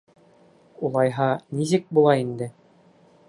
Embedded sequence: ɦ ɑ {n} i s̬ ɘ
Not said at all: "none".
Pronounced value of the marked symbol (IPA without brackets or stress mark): n